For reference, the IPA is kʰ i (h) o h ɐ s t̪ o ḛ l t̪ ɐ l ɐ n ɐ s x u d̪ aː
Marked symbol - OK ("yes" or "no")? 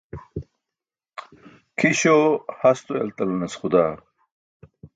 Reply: no